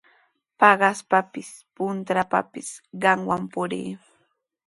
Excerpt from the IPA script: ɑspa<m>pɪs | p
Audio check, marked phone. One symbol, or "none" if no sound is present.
none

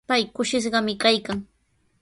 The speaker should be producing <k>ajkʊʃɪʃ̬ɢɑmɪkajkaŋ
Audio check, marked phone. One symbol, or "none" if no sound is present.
p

